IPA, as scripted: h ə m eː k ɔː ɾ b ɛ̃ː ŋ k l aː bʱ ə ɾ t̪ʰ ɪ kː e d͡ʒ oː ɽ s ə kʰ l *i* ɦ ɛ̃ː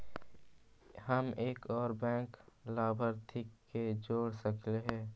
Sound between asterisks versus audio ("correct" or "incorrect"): incorrect